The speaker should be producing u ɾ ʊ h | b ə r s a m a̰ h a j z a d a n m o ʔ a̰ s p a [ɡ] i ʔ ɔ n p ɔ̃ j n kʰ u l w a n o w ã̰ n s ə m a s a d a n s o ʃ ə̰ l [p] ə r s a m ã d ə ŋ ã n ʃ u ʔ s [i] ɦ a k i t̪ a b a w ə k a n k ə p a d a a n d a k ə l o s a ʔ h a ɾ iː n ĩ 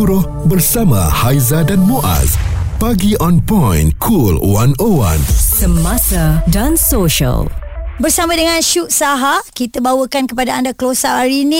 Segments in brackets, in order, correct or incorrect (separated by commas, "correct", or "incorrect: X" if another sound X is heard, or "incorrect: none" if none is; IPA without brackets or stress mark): correct, incorrect: b, incorrect: a